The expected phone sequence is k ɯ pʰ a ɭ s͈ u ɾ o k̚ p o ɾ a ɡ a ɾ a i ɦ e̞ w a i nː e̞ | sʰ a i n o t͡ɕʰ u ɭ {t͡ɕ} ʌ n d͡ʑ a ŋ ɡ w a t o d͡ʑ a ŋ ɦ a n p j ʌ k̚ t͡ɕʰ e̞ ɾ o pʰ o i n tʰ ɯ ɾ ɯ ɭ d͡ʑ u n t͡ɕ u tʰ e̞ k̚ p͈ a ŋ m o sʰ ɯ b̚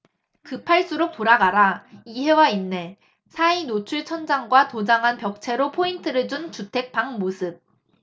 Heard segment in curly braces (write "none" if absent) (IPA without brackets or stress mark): t͡ɕʰ